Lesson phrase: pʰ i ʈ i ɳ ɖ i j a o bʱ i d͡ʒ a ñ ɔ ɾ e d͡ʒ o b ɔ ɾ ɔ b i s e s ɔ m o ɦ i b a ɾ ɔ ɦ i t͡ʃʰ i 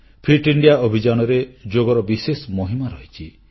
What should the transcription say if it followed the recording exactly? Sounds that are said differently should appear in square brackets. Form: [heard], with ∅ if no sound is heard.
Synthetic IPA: pʰ i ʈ i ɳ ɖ i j a o bʱ i d͡ʒ a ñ ɔ ɾ e d͡ʒ o [ɡ] ɔ ɾ ɔ b i s e s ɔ m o ɦ i [m] a ɾ ɔ ɦ i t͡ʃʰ i

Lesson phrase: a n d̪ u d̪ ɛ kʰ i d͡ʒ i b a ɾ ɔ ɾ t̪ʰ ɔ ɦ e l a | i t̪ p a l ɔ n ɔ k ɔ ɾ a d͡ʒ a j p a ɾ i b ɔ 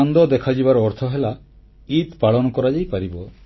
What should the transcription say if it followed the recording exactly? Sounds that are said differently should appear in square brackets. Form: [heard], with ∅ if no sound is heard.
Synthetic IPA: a n d̪ [ɔ] d̪ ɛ kʰ [a] d͡ʒ i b a ɾ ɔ ɾ t̪ʰ ɔ ɦ e l a | i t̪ p a [ɭ] ɔ n ɔ k ɔ ɾ a d͡ʒ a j p a ɾ i b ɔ

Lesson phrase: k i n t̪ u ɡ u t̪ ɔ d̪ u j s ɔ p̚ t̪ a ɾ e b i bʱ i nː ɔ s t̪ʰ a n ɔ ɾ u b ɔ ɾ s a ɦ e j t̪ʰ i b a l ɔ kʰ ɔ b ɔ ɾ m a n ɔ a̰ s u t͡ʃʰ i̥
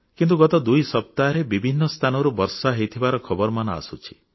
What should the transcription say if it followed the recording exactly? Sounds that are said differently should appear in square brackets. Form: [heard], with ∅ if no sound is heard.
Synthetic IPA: k i n t̪ u ɡ [ɔ] t̪ ɔ d̪ u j s ɔ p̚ t̪ a ɾ e b i bʱ i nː ɔ s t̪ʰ a n ɔ ɾ u b ɔ ɾ s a ɦ e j t̪ʰ i b a [ɾ] ɔ kʰ ɔ b ɔ ɾ m a n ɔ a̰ s u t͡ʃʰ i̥

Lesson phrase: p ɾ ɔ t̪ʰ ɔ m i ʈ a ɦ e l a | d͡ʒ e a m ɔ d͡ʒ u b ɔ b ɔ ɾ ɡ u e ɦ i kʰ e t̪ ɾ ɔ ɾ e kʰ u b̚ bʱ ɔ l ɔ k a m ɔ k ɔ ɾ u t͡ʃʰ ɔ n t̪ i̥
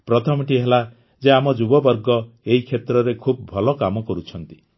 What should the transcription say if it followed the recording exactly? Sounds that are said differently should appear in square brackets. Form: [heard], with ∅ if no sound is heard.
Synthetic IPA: p ɾ ɔ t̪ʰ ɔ m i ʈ [i] ɦ e l a | d͡ʒ e a m ɔ d͡ʒ u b ɔ b ɔ ɾ ɡ [ɔ] e ɦ i kʰ e t̪ ɾ ɔ ɾ e kʰ u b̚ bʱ ɔ l ɔ k a m ɔ k ɔ ɾ u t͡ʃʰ ɔ n t̪ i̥

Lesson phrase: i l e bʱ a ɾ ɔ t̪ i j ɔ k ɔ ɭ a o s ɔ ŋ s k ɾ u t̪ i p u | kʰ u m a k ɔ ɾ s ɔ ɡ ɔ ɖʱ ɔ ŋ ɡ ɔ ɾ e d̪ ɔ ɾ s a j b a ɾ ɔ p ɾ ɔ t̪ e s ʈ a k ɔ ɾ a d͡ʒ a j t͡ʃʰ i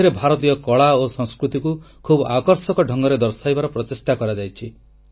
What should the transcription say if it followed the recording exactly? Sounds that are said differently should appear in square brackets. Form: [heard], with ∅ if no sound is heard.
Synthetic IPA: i [ɾ] e bʱ a ɾ ɔ t̪ i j ɔ k ɔ ɭ a o s ɔ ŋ s k ɾ u t̪ i [k] u | kʰ u [b] a k ɔ ɾ s ɔ [k] ɔ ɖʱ ɔ ŋ ɡ ɔ ɾ e d̪ ɔ ɾ s a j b a ɾ ɔ p ɾ ɔ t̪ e s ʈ a k ɔ ɾ a d͡ʒ a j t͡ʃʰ i

